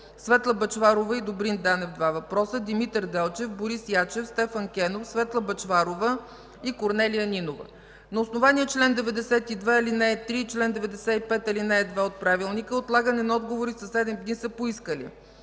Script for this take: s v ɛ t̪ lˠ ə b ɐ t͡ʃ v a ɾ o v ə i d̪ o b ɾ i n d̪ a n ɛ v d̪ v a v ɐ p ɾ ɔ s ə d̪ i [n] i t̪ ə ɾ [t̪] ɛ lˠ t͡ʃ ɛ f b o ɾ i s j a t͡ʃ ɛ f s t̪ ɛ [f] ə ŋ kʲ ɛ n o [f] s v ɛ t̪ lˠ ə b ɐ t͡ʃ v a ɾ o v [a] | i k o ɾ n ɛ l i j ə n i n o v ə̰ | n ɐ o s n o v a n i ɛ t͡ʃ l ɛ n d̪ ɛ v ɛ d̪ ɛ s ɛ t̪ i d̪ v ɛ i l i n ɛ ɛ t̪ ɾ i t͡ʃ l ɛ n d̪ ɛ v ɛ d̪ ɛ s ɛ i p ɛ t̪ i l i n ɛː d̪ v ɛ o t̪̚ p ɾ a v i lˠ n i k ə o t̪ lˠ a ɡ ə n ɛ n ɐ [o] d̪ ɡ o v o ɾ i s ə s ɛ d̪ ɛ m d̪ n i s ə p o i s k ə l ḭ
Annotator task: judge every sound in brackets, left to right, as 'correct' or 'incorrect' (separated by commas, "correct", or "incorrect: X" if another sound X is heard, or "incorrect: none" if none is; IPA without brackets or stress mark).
incorrect: m, incorrect: d̪, correct, correct, incorrect: ə, incorrect: ɔ